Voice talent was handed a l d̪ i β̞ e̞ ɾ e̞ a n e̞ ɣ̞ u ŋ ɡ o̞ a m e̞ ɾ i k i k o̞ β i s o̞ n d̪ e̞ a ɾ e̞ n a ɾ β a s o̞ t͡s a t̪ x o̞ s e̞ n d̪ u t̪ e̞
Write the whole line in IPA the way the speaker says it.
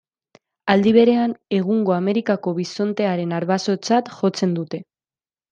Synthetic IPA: a l d̪ i β̞ e̞ ɾ e̞ a n e̞ ɣ̞ u ŋ ɡ o̞ a m e̞ ɾ i k a k o̞ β i s o̞ n t̪ e̞ a ɾ e̞ n a ɾ β a s o̞ t͡s a t̪ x o̞ t͡s e̞ n d̪ u t̪ e̞